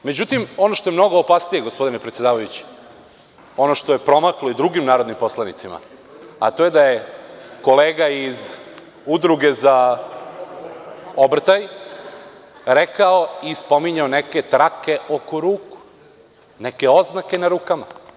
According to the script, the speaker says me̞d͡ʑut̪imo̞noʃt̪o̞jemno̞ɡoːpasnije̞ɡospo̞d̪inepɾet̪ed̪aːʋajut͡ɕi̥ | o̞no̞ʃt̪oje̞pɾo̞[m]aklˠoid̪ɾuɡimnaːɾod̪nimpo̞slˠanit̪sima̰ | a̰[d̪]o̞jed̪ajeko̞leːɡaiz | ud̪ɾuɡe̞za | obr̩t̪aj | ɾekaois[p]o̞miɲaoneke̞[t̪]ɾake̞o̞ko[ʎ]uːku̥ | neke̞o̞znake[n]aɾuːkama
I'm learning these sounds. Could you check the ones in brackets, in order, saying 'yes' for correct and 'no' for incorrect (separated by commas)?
yes, no, yes, yes, no, yes